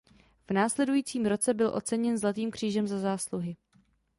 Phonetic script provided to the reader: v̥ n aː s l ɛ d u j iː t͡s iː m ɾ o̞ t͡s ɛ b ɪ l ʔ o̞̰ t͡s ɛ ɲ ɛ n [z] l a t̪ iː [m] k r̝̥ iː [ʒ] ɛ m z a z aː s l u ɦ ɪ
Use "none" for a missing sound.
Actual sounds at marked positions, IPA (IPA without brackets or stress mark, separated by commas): z, m, ʒ